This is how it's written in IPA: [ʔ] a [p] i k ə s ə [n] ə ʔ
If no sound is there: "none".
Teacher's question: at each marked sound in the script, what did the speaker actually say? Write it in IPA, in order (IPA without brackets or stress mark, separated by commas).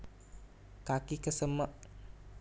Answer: k, k, m